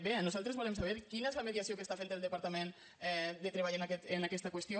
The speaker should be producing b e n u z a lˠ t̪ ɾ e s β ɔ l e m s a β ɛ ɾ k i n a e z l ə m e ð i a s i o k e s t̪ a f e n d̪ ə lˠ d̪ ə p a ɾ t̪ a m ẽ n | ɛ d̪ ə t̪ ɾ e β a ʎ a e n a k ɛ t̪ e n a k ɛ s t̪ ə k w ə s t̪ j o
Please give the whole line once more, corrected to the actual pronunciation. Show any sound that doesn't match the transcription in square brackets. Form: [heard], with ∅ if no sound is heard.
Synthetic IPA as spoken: b e n u z a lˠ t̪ ɾ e [z] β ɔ l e m s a β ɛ ɾ k i n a e z l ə m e ð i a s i o k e s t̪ a f e n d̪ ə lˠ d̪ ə p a ɾ t̪ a m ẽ n | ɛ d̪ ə t̪ ɾ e β a ʎ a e n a k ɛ t̪ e n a k ɛ s t̪ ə k w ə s t̪ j o